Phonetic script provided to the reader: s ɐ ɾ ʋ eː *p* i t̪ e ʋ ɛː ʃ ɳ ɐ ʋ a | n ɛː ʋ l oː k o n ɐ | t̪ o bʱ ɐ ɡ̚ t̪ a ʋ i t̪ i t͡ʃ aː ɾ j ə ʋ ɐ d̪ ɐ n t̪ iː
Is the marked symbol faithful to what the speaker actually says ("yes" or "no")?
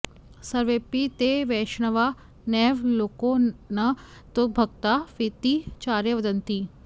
yes